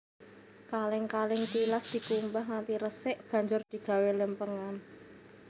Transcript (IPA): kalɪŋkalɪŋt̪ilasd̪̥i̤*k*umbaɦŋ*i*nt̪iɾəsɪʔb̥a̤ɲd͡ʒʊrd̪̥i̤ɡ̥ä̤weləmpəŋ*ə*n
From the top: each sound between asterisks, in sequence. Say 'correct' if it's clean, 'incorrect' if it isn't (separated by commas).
correct, incorrect, incorrect